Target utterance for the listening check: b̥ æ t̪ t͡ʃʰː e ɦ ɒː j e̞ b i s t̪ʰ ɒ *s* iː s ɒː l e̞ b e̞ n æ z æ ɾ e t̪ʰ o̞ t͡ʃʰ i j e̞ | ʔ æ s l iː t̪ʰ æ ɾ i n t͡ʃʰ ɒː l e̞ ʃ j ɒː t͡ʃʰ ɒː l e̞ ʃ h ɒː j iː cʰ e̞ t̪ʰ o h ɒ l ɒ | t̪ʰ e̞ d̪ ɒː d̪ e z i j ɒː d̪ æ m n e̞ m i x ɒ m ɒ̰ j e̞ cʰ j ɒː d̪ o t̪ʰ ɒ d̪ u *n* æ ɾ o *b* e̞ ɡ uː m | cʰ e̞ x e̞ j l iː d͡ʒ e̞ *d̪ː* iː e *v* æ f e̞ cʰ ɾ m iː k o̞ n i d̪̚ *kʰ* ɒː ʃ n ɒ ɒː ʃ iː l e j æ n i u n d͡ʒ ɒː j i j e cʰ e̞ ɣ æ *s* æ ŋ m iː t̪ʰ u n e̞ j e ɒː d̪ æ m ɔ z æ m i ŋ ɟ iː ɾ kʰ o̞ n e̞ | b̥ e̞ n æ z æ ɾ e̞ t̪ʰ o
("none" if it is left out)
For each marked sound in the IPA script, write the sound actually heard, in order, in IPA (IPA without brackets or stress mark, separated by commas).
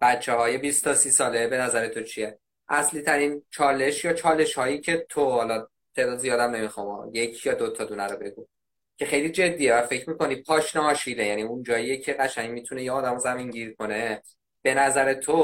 s, n, b, d̪ː, v, pʰ, ʃ